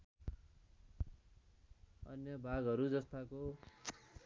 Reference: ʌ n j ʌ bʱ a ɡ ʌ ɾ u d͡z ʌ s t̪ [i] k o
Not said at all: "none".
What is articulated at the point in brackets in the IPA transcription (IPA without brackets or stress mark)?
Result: a